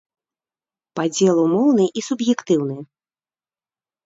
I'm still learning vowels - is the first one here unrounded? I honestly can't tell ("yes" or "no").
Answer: yes